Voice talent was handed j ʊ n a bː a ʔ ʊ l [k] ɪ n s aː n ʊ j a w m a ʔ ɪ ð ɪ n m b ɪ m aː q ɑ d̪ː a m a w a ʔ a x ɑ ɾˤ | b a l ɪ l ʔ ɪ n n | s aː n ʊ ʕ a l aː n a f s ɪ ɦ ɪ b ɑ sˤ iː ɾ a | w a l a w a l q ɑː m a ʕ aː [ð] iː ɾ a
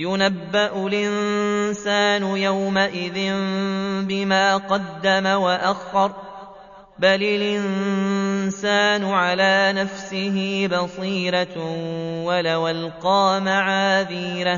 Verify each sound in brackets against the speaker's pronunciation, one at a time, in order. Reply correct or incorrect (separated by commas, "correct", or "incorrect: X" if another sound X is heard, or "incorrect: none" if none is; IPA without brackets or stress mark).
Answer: incorrect: ʔ, correct